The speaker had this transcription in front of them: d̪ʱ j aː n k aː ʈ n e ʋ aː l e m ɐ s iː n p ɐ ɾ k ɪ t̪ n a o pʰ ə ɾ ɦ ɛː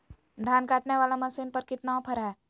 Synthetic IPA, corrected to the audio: d̪ʱ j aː n k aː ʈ n e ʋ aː l a m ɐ s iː n p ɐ ɾ k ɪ t̪ n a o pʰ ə ɾ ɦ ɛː